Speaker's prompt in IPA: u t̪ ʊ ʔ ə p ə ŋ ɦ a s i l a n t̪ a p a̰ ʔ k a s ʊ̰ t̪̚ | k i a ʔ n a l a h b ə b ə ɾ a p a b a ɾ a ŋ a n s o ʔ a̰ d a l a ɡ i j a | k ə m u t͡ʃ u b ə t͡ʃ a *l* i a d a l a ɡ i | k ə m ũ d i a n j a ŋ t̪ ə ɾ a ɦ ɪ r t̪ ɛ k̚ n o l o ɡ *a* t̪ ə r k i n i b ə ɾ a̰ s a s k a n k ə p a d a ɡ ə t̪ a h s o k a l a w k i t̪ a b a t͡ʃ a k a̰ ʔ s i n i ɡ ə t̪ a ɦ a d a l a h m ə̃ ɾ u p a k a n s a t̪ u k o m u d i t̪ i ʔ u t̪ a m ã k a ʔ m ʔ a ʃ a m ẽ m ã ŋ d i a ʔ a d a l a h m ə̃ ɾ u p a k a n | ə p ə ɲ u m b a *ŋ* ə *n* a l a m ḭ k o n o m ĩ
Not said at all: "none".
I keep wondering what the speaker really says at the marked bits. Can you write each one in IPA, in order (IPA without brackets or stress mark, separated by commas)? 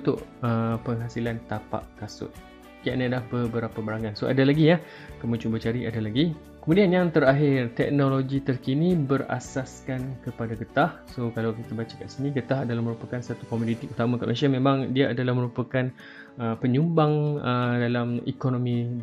ɾ, i, ŋ, d